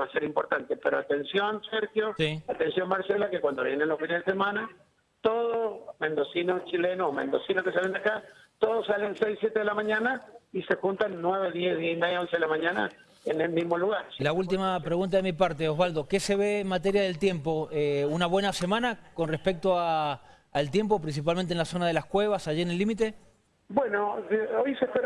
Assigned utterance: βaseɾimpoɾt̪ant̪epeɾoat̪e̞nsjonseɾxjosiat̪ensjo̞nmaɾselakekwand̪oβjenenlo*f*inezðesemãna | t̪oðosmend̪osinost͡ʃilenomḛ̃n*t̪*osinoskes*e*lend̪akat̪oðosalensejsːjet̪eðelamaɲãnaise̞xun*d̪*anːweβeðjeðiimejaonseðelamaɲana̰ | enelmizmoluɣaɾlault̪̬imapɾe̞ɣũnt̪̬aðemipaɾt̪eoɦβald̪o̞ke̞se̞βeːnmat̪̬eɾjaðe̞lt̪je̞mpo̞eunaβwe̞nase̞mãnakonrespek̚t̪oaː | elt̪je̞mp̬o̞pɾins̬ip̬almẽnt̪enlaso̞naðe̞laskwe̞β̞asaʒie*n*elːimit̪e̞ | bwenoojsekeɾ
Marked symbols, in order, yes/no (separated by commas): yes, no, no, no, yes